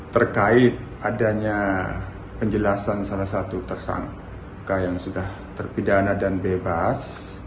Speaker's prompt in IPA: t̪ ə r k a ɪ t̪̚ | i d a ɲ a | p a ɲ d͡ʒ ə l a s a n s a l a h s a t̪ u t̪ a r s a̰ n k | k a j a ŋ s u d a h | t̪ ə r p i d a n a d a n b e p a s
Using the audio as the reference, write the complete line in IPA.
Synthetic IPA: t̪ ə r k a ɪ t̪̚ | a d a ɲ a | p ə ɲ d͡ʒ ə l a s a n s a l a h s a t̪ u t̪ ə r s a̰ ŋ k | k a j a ŋ s u d a h | t̪ ə r p i d a n a d a n b e b a s